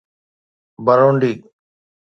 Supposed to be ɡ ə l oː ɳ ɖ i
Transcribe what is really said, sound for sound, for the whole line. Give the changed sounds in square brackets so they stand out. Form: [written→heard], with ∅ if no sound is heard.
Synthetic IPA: [ɡ→b] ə [l→ɾ] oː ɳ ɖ [i→iː]